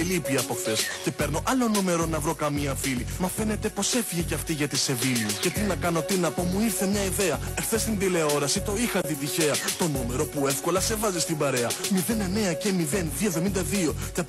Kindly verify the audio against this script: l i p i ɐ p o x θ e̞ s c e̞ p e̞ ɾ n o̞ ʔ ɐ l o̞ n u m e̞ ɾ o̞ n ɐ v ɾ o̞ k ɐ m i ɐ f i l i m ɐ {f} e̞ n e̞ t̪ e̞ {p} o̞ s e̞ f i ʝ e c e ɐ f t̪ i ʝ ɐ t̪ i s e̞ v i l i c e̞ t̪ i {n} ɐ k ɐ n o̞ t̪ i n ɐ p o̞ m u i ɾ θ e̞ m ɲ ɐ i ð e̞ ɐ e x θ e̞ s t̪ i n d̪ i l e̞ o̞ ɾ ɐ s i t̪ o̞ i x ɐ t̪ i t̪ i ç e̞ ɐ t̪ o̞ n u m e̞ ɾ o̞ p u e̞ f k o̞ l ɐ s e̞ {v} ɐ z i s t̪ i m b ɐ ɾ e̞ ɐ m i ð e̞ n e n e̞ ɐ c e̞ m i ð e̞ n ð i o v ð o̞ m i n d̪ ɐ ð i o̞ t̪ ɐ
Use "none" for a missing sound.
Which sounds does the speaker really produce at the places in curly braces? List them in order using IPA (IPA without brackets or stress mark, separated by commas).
f, p, n, v